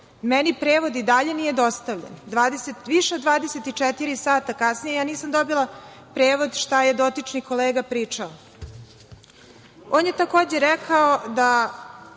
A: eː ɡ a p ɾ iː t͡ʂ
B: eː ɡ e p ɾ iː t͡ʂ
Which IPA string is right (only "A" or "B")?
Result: A